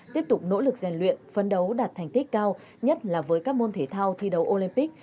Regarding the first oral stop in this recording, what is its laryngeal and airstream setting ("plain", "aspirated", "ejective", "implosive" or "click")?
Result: plain